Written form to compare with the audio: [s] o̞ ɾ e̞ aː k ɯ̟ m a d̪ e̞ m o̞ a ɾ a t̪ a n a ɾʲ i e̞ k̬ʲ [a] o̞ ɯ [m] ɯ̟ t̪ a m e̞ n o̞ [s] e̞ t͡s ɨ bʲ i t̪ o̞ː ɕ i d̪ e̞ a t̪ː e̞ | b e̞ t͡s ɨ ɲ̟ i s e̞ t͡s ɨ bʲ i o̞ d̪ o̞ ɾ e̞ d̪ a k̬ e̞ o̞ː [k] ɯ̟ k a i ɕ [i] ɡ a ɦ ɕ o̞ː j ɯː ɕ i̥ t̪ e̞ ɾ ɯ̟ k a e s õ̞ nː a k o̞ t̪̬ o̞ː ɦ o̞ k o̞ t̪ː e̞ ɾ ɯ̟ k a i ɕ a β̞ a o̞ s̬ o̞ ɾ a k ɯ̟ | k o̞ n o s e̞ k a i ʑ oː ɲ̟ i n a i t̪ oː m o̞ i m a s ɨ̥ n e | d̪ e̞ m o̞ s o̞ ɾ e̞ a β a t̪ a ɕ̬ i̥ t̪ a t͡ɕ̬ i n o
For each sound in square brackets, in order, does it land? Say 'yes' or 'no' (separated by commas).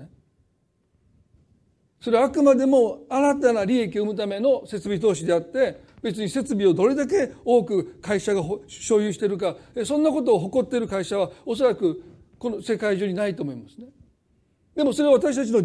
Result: yes, no, yes, yes, yes, no